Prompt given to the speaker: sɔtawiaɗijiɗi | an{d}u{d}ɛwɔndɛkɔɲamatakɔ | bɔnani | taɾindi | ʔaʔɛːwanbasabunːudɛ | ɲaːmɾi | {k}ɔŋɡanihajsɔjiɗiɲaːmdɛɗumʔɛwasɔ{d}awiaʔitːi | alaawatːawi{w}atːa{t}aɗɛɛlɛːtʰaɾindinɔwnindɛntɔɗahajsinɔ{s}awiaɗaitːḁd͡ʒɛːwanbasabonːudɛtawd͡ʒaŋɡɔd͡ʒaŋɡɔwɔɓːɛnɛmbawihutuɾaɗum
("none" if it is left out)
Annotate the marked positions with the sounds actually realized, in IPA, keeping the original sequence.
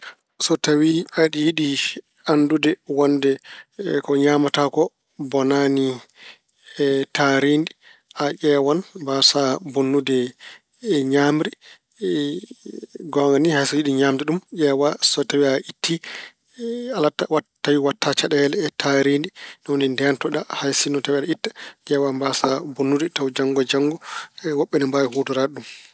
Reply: d, d, ɡ, t, w, t͡ʃ, t

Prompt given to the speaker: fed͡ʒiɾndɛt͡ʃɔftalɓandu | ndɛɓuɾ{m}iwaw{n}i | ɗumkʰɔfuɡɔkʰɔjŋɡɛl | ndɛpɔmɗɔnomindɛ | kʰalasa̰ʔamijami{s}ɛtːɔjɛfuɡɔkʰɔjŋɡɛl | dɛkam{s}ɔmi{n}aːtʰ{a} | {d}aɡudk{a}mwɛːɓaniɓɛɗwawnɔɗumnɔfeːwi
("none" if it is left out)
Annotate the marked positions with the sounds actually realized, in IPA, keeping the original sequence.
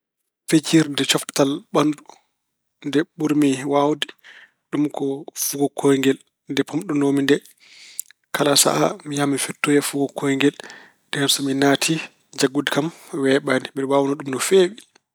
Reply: m, d, f, s, n, i, d͡ʒ, a

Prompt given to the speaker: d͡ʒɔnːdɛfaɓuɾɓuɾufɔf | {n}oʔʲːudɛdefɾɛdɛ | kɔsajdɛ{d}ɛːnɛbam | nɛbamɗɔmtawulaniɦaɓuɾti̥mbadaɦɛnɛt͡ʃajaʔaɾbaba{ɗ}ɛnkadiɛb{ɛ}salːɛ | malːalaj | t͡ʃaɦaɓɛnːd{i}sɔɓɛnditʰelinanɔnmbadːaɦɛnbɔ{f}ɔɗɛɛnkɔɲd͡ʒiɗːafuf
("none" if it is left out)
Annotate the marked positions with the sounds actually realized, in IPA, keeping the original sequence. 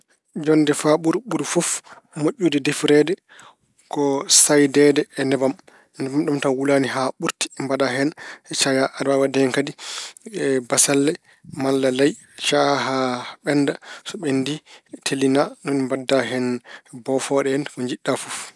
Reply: m, d, d, a, a, f

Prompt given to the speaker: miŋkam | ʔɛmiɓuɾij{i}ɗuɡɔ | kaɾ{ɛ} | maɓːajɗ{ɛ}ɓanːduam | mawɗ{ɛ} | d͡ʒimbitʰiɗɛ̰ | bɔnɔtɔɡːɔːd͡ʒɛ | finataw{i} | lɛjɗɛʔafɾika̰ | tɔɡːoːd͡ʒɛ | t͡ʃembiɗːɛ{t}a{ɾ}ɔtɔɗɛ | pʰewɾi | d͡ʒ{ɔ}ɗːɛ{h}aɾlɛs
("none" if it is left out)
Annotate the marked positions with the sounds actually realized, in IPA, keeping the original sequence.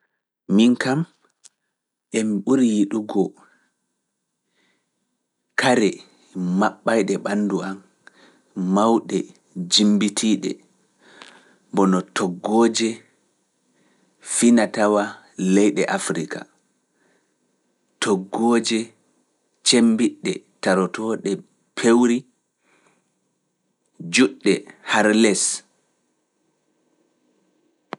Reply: i, ɛ, ɛ, ɛ, a, t, ɾ, u, h

